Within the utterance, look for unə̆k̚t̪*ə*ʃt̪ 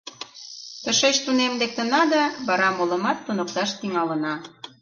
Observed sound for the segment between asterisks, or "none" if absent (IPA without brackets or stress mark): ɑ